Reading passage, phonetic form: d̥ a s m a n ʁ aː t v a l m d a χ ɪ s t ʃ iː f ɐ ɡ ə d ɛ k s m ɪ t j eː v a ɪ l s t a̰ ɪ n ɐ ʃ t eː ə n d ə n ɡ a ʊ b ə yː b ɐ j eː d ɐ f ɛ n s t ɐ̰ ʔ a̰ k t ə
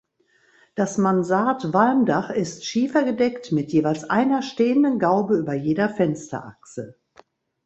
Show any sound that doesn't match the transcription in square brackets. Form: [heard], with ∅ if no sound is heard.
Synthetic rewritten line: d̥ a s m a n [z] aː t v a l m d a χ ɪ s t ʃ iː f ɐ ɡ ə d ɛ k [t] m ɪ t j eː v a ɪ l s [ʔ] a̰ ɪ n ɐ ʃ t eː ə n d ə n ɡ a ʊ b ə yː b ɐ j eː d ɐ f ɛ n s t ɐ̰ ʔ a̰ k [s] ə